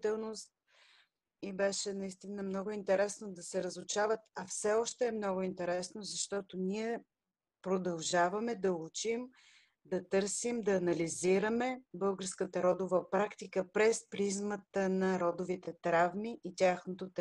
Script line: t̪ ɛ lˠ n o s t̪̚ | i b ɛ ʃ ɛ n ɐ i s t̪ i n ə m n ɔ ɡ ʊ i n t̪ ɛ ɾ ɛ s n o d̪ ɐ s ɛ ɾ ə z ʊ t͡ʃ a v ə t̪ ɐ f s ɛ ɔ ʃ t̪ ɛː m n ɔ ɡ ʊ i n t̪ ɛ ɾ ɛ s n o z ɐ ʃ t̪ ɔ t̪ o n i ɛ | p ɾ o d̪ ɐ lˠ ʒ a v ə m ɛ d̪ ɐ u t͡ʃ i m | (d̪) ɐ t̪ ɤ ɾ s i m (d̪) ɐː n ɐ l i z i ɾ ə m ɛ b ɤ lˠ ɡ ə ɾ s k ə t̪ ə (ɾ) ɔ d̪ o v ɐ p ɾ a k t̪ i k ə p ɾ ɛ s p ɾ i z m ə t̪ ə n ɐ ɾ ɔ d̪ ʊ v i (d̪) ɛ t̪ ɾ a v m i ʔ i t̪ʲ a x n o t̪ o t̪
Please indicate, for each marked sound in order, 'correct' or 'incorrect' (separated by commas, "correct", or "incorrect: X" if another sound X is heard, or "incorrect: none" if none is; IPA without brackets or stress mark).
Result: correct, correct, correct, incorrect: t̪